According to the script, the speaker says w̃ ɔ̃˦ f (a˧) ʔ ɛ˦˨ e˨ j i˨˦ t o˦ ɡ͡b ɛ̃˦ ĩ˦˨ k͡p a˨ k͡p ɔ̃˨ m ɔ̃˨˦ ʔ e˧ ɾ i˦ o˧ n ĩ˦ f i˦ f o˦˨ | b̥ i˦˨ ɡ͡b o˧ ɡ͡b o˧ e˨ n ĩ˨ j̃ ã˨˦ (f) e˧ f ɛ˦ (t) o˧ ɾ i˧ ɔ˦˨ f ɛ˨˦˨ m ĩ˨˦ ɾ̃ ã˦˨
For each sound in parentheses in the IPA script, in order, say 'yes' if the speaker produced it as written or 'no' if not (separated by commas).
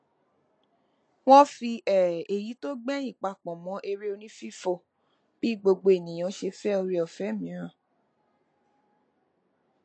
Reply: no, no, no